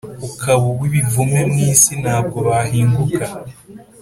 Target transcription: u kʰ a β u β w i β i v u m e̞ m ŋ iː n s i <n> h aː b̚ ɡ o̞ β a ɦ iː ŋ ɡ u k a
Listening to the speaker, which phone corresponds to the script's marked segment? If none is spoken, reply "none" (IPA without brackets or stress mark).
n